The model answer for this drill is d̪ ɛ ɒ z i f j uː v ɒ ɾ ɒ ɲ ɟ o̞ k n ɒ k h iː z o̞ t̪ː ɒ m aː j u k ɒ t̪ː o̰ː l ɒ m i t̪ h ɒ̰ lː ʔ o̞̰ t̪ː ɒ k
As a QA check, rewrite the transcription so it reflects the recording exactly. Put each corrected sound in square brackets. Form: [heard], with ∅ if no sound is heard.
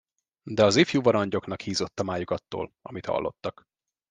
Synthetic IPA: d̪ ɛ ɒ z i f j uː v ɒ ɾ ɒ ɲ ɟ o̞ k n ɒ k h iː z o̞ t̪ː ɒ m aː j u k ɒ t̪ː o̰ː l ɒ m i t̪ h ɒ̰ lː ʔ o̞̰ t̪ː ɒ k